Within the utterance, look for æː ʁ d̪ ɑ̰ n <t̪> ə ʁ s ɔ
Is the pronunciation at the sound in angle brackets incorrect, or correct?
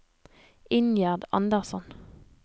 incorrect